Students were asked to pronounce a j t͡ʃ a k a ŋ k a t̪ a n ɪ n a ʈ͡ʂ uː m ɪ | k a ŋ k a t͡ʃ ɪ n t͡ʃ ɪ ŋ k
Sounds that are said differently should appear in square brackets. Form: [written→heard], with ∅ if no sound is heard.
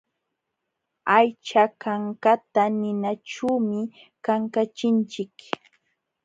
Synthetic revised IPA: a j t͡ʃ a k a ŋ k a t̪ a n ɪ n a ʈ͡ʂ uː m ɪ | k a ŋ k a t͡ʃ ɪ n t͡ʃ ɪ [ŋ→∅] k